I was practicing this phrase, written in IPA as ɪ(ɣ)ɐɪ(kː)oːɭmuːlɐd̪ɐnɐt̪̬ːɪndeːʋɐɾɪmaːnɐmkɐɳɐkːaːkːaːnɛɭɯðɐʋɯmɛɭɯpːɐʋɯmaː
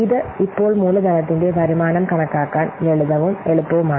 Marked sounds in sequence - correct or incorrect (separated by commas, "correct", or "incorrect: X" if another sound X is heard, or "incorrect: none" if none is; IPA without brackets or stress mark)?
incorrect: ð, incorrect: pː